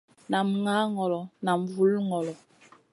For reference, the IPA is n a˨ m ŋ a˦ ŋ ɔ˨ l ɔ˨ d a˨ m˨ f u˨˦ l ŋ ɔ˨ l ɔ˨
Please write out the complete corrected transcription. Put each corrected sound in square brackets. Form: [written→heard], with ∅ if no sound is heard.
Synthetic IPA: n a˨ m ŋ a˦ ŋ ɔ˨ l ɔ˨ [d→n] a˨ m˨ [f→v] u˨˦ l ŋ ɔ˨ l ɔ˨

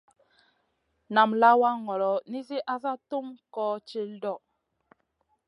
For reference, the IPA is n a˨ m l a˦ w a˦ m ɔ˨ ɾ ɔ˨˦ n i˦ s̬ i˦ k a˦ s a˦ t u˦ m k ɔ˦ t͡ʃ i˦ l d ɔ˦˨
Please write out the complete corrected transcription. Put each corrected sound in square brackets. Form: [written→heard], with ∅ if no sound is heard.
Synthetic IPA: n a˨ m l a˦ w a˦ [m→ŋ] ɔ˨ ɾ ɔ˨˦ n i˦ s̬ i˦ [k→ʔ] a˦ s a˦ t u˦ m k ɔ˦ t͡ʃ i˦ l d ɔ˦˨

